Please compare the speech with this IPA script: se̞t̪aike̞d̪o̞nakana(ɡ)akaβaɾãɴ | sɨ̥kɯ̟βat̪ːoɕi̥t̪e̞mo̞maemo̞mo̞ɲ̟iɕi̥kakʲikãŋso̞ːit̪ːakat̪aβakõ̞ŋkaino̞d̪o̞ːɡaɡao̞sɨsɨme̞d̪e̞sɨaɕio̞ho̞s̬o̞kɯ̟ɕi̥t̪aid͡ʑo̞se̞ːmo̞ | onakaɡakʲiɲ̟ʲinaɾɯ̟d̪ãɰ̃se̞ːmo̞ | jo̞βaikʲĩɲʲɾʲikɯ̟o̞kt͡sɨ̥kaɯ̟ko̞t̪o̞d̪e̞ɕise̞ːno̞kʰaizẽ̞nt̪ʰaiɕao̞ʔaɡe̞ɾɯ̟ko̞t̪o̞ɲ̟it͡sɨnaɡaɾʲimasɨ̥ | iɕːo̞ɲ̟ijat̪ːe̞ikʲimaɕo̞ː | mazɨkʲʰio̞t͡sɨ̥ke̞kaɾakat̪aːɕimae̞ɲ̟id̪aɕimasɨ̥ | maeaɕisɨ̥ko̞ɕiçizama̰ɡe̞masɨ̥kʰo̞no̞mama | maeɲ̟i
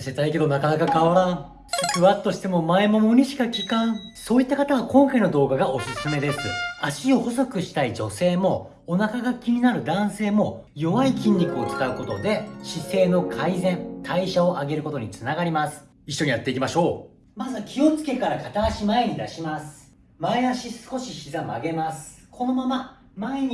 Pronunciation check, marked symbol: incorrect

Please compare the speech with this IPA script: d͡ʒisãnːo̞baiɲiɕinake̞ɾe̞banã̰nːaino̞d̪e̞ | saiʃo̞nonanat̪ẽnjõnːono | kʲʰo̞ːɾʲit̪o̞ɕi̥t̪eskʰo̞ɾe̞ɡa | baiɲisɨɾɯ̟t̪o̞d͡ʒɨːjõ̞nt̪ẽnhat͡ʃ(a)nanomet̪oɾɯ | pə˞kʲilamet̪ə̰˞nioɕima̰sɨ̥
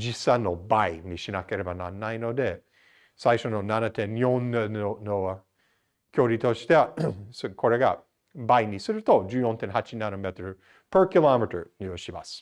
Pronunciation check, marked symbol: incorrect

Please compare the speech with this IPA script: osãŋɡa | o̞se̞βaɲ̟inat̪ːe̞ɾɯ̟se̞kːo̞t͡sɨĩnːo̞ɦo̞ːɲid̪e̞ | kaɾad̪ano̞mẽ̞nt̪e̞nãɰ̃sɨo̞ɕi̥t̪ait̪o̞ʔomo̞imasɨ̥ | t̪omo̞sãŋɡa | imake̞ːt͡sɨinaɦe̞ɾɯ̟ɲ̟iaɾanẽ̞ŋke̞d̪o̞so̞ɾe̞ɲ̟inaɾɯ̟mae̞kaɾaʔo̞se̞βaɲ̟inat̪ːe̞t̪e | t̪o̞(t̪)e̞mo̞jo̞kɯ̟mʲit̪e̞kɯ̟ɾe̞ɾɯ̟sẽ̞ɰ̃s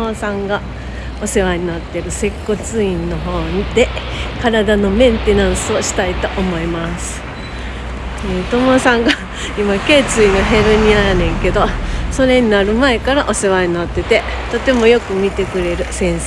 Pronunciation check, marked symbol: correct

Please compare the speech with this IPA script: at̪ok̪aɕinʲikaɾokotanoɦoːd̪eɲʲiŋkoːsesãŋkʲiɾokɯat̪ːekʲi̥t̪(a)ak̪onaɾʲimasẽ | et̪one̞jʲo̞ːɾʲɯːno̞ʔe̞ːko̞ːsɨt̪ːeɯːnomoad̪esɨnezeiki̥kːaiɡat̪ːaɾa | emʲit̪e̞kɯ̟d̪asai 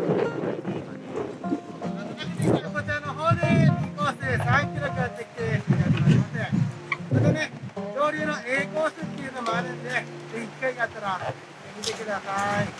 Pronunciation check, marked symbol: incorrect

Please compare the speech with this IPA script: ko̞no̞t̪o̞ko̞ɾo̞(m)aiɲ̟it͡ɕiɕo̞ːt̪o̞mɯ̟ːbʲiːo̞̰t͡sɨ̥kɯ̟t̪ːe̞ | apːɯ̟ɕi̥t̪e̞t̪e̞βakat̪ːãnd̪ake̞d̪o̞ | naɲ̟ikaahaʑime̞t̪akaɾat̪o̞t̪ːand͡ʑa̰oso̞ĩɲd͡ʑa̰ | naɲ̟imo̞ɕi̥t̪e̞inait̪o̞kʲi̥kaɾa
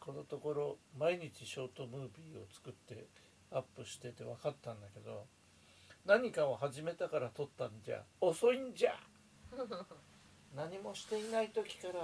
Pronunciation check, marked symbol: correct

